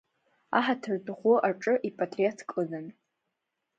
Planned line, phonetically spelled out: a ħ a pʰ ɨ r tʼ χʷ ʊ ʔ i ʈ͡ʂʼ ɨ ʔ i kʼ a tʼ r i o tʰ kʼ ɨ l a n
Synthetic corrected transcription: a ħ a tʰ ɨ r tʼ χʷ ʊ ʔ a ʈ͡ʂʼ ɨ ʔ i pʼ a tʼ r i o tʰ kʼ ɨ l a n